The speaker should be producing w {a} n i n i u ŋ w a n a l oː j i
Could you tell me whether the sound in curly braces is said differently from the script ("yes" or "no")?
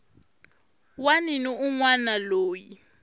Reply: no